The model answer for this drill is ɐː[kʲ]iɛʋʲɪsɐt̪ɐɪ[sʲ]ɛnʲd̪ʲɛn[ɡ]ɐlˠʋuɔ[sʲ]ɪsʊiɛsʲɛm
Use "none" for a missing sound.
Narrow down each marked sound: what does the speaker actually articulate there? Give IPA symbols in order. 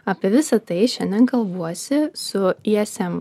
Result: pʲ, ʃʲ, k, sʲ

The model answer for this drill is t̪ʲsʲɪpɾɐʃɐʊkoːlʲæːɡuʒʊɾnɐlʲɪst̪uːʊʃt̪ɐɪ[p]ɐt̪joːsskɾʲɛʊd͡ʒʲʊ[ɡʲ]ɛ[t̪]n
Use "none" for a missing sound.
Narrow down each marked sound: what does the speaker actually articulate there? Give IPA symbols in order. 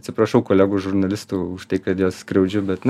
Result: k, bʲ, t̪

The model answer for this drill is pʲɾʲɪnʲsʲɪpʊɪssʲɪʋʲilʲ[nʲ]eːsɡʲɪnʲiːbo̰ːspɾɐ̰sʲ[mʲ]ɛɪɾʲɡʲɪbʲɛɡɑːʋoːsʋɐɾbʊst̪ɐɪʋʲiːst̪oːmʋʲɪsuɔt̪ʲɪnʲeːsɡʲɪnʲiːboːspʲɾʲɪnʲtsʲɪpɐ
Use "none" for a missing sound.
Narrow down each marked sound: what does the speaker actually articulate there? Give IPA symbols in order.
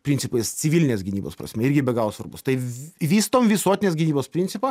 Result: nʲ, mʲ

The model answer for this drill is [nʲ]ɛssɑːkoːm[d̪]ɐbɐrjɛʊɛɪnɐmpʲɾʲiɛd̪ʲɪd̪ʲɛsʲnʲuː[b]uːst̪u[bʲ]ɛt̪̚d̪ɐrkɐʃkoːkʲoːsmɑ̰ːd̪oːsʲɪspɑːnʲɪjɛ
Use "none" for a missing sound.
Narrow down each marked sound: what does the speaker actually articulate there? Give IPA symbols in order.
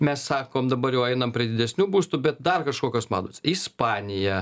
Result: mʲ, d̪, b, bʲ

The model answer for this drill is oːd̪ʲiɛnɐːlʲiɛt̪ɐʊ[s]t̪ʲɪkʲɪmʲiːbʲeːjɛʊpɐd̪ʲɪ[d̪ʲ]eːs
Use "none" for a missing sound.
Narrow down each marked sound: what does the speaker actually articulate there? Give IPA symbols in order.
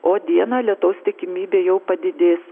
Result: s, d̪ʲ

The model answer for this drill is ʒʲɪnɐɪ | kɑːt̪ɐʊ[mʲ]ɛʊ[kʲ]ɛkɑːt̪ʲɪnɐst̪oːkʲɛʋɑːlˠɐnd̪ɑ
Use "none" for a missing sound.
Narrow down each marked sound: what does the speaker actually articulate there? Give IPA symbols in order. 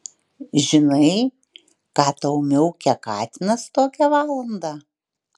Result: mʲ, kʲ

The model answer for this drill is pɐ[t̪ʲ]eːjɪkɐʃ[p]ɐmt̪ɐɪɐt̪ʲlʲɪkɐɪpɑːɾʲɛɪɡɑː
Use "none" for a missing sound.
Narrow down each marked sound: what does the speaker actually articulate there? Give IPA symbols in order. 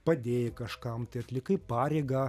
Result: d̪ʲ, k

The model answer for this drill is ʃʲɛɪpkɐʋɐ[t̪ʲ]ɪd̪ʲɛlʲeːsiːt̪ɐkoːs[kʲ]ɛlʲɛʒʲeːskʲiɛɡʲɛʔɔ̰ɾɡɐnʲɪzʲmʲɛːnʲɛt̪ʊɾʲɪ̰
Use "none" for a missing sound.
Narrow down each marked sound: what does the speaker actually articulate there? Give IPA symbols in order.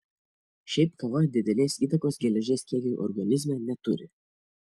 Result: d̪ʲ, ɡʲ

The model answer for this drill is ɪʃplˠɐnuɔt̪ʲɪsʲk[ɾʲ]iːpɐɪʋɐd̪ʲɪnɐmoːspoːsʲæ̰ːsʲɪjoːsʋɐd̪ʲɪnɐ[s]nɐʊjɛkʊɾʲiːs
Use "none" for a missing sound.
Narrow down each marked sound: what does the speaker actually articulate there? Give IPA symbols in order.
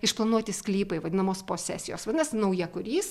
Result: lʲ, s

